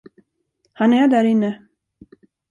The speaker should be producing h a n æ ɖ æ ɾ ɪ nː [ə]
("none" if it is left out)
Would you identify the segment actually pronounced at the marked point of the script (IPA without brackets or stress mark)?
ə